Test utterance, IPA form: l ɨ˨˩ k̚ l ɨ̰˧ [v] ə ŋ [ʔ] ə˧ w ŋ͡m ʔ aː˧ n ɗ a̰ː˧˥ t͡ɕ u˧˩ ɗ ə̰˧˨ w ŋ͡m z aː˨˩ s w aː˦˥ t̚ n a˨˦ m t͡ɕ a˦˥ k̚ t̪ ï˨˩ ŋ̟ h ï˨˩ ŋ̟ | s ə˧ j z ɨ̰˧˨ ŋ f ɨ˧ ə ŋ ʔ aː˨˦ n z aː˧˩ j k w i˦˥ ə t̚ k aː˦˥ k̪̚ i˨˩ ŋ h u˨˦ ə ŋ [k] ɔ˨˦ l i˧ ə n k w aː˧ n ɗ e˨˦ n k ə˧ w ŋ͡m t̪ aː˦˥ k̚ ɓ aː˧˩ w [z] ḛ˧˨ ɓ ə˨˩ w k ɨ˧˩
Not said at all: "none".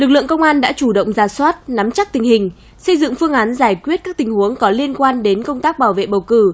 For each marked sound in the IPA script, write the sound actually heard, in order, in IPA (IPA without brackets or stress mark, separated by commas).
none, k, k, v